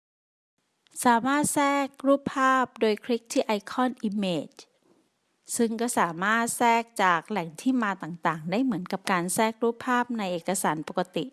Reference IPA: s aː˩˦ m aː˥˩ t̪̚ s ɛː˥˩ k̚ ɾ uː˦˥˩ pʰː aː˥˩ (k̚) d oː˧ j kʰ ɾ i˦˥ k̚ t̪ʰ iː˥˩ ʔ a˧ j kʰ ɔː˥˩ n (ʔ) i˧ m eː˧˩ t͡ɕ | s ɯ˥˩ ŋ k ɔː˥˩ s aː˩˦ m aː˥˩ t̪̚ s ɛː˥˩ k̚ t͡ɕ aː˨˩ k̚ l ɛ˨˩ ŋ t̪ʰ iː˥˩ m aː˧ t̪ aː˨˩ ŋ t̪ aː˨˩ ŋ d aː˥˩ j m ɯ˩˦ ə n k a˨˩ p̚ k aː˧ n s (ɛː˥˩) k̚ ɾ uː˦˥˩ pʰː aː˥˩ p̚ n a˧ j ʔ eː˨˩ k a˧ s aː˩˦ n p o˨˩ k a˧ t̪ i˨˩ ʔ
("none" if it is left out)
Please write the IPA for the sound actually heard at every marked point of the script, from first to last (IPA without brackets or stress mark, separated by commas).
p̚, ʔ, ɛː˥˩